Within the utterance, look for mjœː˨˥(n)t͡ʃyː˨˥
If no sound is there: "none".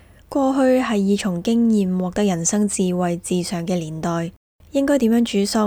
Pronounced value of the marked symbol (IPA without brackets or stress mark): ŋ